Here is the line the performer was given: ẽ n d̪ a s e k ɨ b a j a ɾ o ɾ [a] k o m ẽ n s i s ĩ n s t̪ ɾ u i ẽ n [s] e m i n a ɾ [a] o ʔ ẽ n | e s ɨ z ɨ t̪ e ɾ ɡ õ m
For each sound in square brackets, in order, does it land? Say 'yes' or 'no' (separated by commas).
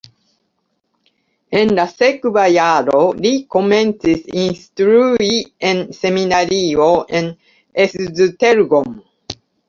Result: no, yes, no